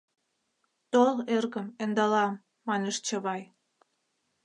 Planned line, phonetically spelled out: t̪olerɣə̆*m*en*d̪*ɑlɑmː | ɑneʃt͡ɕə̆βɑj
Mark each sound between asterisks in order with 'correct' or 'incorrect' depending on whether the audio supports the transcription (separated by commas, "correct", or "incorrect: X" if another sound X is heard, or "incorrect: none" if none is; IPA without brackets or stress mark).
correct, correct